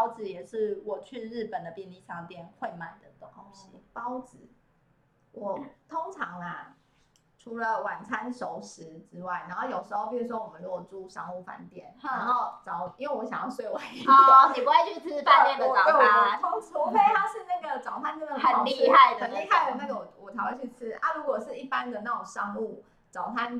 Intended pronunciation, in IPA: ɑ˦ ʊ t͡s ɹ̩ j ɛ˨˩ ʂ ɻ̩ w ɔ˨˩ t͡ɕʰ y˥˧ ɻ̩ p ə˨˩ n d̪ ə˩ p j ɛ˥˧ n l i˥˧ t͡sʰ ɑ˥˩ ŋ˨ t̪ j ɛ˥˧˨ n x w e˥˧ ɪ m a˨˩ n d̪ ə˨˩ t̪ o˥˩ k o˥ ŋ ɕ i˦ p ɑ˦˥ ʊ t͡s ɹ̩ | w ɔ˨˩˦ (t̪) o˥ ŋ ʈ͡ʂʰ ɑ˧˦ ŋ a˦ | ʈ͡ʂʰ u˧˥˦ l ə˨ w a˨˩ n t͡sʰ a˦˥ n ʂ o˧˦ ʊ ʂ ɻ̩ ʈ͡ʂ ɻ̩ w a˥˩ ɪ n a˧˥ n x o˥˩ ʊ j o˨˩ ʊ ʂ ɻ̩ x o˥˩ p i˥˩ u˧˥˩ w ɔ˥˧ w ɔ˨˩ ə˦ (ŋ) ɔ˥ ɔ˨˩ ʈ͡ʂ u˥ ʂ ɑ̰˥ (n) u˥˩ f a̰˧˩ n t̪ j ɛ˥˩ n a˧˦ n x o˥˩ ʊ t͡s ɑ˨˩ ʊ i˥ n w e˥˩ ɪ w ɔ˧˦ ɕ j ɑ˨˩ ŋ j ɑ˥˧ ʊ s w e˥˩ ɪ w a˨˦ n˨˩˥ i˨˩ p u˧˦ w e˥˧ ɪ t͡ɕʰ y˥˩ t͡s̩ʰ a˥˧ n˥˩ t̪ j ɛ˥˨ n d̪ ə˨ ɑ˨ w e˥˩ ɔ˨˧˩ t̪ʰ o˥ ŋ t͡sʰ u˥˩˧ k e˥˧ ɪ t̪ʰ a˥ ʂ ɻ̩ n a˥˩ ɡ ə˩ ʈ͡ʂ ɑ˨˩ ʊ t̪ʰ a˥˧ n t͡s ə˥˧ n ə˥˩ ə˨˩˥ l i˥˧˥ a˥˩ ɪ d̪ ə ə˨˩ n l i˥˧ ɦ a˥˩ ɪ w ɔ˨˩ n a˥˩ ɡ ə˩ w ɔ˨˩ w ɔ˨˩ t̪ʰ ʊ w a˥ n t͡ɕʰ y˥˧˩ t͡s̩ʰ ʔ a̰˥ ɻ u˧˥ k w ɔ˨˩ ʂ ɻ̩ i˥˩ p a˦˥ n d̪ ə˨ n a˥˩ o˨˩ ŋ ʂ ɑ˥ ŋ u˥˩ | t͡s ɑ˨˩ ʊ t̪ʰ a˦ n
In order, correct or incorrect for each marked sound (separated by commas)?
incorrect, incorrect, incorrect